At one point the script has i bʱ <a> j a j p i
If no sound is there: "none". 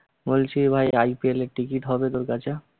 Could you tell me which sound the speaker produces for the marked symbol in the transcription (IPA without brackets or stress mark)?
a